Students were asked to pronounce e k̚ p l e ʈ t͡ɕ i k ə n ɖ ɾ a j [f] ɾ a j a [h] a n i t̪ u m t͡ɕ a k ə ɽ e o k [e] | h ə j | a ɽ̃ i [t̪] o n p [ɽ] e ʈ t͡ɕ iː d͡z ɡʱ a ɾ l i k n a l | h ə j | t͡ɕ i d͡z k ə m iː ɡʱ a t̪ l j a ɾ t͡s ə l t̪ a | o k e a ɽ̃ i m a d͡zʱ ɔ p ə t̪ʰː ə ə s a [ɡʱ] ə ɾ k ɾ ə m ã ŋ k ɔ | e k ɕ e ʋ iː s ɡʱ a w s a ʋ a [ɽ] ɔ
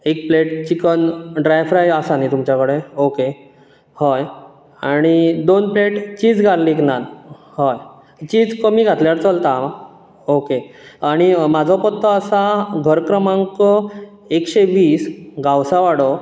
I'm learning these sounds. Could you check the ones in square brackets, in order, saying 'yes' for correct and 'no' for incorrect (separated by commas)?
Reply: yes, no, yes, no, no, yes, yes